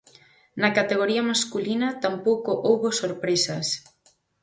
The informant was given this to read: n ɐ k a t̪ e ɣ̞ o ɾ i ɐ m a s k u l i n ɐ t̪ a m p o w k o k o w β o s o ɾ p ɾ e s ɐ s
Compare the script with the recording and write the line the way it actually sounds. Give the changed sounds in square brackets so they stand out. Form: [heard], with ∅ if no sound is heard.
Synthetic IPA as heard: n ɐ k a t̪ e ɣ̞ o ɾ i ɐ m a s k u l i n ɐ t̪ a m p o w k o [ʔ] o w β o s o ɾ p ɾ e s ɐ s

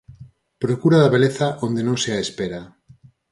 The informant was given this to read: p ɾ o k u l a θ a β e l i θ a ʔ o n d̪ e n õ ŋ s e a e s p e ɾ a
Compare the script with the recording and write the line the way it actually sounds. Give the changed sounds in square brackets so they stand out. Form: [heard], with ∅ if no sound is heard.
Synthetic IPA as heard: p ɾ o k u [ɾ] a [ð] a β e l [e] θ a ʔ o n d̪ e n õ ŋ s e a e s p e ɾ a

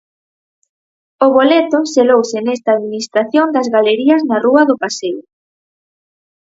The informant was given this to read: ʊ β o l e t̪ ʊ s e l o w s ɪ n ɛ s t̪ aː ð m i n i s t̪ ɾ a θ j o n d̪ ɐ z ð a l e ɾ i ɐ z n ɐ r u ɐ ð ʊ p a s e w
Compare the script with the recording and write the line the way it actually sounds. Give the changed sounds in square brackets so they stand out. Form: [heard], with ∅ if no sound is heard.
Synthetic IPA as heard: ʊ β o l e t̪ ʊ s e l o w s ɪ n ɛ s t̪ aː ð m i n i s t̪ ɾ a θ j o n d̪ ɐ z [ɣ] a l e ɾ i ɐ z n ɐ r u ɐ ð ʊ p a s e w

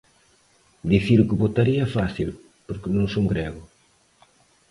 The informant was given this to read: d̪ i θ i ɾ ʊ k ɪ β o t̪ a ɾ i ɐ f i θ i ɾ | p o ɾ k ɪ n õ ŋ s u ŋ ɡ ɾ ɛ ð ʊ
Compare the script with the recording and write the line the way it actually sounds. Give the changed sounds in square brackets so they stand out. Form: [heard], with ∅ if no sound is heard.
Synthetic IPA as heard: d̪ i θ i ɾ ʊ k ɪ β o t̪ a ɾ i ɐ f [a] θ i [l] | p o ɾ k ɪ n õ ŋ s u ŋ ɡ ɾ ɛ [ɣ] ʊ

